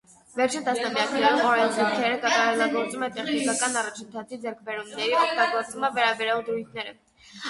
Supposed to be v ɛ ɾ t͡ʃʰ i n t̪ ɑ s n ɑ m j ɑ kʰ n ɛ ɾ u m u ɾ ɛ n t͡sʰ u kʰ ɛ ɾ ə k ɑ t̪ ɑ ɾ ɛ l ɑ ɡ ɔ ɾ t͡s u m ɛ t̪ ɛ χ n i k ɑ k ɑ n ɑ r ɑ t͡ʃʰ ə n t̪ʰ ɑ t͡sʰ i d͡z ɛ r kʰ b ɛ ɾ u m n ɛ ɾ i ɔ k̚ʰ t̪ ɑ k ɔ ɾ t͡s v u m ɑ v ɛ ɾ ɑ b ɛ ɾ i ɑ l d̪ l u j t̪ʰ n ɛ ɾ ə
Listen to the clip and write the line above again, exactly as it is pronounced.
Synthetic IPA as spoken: v ɛ ɾ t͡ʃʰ i n t̪ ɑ s n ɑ m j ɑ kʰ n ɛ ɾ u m ɔ ɾ ɛ n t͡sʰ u kʰ ɛ ɾ ə k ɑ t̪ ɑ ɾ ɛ l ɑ ɡ ɔ ɾ t͡s u m ɛ t̪ ɛ χ n i k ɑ k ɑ n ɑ r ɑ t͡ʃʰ ə n t̪ʰ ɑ t͡sʰ i d͡z ɛ ɾ kʰ b ɛ ɾ u m n ɛ ɾ i ɔ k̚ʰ t̪ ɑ ɡ ɔ ɾ t͡s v u m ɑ v ɛ ɾ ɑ b ɛ ɾ j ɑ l d̪ ɾ u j t̪ʰ n ɛ ɾ ə